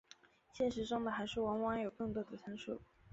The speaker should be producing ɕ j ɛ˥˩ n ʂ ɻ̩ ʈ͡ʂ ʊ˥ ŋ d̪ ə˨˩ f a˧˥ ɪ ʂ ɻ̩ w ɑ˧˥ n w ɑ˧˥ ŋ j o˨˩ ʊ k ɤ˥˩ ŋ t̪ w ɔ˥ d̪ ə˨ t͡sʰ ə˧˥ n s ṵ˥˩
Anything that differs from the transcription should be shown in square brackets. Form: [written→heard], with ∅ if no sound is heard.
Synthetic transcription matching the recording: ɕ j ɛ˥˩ n ʂ ɻ̩ ʈ͡ʂ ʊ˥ ŋ d̪ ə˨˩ [f→x] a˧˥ ɪ ʂ ɻ̩ w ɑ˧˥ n w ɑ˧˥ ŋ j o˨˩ ʊ k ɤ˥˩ ŋ t̪ w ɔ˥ d̪ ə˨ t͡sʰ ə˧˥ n [s→ʂ] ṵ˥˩

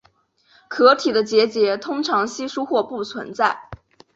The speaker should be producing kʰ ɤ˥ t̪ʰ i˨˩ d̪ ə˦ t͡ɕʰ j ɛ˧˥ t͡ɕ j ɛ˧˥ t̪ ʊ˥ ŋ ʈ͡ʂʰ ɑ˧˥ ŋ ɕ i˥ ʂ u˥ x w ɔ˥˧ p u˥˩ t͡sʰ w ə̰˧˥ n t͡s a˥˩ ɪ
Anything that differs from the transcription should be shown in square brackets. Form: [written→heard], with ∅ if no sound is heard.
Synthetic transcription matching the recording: kʰ [ɤ˥→ɤ˧˥] t̪ʰ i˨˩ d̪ ə˦ [t͡ɕʰ→t͡ɕ] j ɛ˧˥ t͡ɕ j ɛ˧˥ [t̪→t̪ʰ] ʊ˥ ŋ ʈ͡ʂʰ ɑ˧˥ ŋ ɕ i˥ ʂ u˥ x w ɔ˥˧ p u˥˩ t͡sʰ w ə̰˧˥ n t͡s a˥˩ ɪ

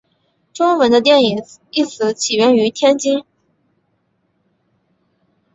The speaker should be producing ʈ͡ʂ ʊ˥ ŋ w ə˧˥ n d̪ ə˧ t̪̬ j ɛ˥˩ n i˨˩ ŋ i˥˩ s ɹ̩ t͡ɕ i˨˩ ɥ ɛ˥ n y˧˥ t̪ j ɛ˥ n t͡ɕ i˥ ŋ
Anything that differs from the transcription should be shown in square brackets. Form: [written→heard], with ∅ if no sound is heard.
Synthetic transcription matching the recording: ʈ͡ʂ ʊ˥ ŋ w ə˧˥ n d̪ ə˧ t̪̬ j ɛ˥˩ n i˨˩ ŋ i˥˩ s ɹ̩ [t͡ɕ→t͡ɕʰ] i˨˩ ɥ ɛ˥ n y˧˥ [t̪→t̪ʰ] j ɛ˥ n t͡ɕ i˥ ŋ

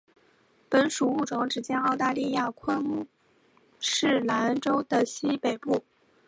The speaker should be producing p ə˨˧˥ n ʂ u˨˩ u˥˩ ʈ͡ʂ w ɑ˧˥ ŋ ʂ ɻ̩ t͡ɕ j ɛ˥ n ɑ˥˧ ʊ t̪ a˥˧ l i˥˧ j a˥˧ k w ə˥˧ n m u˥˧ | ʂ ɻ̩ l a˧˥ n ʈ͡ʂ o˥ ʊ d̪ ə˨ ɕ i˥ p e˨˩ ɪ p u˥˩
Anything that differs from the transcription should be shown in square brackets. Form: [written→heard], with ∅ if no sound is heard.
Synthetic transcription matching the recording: p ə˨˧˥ n ʂ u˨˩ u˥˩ ʈ͡ʂ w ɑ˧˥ ŋ [ʂ→ʈ͡ʂ] ɻ̩ t͡ɕ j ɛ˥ n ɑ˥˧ ʊ t̪ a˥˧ l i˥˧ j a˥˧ [k→kʰ] w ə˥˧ n m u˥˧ | ʂ ɻ̩ l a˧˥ n ʈ͡ʂ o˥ ʊ d̪ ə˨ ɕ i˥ p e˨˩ ɪ p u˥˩

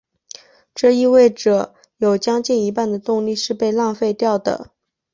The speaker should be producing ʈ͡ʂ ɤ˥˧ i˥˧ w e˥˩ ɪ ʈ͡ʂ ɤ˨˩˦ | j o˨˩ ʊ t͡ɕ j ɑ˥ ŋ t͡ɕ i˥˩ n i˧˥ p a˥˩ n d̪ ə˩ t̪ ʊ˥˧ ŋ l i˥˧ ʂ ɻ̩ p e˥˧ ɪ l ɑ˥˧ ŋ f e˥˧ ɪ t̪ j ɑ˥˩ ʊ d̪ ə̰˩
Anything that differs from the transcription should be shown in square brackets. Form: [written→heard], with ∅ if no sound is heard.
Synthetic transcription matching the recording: ʈ͡ʂ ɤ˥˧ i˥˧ w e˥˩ ɪ ʈ͡ʂ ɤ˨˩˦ | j o˨˩ ʊ t͡ɕ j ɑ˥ ŋ t͡ɕ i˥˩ n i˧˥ p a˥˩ n d̪ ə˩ t̪ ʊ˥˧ ŋ l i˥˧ ʂ ɻ̩ p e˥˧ ɪ l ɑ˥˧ ŋ f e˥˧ ɪ t̪ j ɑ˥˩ ʊ d̪ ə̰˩

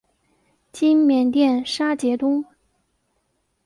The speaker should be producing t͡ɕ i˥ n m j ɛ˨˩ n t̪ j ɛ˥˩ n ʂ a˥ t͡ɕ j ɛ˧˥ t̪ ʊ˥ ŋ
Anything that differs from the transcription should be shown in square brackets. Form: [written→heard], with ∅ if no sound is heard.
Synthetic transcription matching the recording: t͡ɕ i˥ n m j ɛ˨˩ n t̪ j ɛ˥˩ n ʂ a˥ t͡ɕ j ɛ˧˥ t̪ ʊ˥ ŋ

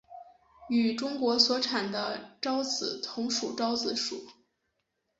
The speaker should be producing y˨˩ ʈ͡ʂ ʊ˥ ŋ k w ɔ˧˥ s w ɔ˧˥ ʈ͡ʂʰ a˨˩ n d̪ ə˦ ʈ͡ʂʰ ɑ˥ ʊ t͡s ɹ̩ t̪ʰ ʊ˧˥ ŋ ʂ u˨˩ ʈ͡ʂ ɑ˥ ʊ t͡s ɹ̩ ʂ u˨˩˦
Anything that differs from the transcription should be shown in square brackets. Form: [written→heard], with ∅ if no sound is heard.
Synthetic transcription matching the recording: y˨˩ ʈ͡ʂ ʊ˥ ŋ k w ɔ˧˥ s w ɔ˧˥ ʈ͡ʂʰ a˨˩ n d̪ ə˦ [ʈ͡ʂʰ→ʈ͡ʂ] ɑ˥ ʊ t͡s ɹ̩ t̪ʰ ʊ˧˥ ŋ ʂ u˨˩ ʈ͡ʂ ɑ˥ ʊ t͡s ɹ̩ ʂ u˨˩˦

